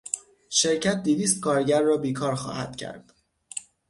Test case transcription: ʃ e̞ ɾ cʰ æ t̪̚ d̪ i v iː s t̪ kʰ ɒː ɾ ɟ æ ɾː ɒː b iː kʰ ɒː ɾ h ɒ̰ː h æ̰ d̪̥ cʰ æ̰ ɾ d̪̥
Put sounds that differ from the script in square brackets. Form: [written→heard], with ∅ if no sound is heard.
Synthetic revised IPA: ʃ e̞ ɾ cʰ æ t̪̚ d̪ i v iː s t̪ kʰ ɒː ɾ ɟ æ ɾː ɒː b iː kʰ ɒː ɾ [h→x] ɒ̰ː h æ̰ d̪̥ cʰ æ̰ ɾ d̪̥